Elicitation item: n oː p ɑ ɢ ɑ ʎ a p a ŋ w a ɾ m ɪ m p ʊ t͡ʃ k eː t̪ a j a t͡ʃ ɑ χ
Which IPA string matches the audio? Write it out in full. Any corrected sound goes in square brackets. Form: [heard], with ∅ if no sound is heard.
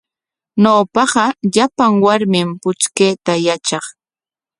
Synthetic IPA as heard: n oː p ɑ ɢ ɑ ʎ a p a ŋ w a ɾ m ɪ m p ʊ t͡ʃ k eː t̪ a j a t͡ʃ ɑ χ